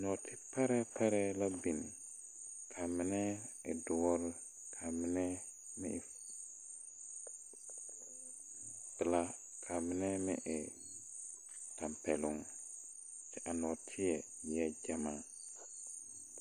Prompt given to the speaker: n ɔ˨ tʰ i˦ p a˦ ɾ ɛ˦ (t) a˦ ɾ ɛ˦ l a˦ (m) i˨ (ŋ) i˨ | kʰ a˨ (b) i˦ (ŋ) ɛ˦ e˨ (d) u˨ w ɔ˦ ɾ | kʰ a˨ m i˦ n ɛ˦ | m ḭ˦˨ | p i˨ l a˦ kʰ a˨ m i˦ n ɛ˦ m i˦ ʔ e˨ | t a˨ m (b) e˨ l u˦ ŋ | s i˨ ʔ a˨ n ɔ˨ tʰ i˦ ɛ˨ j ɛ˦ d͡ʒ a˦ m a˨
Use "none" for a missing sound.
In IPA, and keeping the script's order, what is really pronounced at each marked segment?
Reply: p, b, n, m, n, d, p

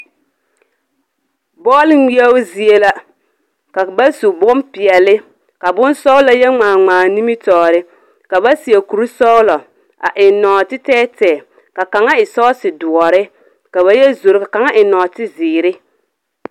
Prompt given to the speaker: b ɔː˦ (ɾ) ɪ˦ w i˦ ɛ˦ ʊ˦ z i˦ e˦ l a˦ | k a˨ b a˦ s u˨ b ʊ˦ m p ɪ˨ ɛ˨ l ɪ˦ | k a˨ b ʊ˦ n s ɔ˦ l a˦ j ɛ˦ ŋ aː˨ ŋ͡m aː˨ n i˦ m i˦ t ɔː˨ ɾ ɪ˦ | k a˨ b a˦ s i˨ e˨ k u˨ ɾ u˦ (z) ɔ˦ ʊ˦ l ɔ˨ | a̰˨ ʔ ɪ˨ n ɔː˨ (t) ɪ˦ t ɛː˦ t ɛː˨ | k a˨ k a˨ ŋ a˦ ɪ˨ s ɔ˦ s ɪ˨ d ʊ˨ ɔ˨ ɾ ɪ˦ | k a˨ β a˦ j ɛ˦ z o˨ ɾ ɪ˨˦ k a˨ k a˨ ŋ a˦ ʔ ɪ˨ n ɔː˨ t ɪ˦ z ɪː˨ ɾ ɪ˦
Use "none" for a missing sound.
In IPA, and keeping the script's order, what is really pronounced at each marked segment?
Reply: l, s, t

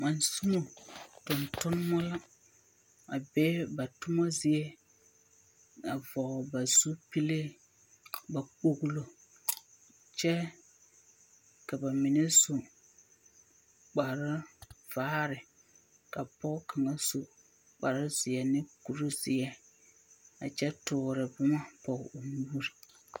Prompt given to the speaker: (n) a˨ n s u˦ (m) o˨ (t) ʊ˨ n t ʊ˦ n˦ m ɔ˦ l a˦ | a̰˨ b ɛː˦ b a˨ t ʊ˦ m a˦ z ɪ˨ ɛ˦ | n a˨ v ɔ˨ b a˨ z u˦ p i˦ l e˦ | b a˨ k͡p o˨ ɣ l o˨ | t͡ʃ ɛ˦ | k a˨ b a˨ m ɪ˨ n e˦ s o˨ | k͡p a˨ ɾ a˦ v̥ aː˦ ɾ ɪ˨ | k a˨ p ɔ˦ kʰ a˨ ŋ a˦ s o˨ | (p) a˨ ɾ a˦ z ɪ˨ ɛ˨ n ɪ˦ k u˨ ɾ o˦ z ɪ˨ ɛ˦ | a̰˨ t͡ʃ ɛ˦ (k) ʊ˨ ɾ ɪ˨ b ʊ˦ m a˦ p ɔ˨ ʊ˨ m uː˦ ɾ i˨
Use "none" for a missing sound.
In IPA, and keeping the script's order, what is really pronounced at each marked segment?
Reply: m, m, t, k͡p, t

